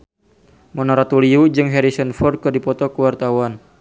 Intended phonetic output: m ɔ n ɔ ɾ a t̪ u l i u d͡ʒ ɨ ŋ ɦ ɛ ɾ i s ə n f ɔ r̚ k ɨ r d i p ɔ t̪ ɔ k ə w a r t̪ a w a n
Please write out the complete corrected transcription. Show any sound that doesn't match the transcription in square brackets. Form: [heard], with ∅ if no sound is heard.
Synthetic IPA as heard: m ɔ n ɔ ɾ a t̪ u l i u d͡ʒ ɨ ŋ ɦ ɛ ɾ i s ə n f ɔ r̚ k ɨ r d i p ɔ t̪ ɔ k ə w a r t̪ a w a n